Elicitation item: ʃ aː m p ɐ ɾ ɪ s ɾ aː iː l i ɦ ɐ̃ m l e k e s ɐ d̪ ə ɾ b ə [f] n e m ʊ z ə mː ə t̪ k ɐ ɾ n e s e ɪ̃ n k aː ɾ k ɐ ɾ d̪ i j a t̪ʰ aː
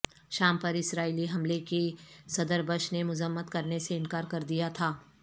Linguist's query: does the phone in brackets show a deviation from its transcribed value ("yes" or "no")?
yes